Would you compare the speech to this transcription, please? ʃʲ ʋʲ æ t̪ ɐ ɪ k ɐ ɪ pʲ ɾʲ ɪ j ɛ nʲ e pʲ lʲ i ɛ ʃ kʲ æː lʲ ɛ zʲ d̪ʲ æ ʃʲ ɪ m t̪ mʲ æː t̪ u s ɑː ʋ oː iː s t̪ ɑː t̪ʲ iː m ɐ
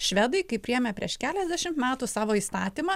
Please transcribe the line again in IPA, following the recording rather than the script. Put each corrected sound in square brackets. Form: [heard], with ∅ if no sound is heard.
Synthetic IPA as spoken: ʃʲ ʋʲ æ [d̪] ɐ ɪ k ɐ ɪ pʲ ɾʲ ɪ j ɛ [mʲ] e pʲ [ɾʲ] i ɛ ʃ kʲ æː lʲ ɛ zʲ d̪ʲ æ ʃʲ ɪ m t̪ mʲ æː t̪ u s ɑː ʋ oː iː s t̪ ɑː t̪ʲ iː m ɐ